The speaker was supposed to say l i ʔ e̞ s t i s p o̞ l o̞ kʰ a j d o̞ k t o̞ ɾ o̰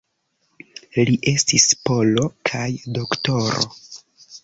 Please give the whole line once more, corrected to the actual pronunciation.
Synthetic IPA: l i ʔ e̞ s t i s p o̞ l o̞ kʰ a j d o̞ k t o̞ ɾ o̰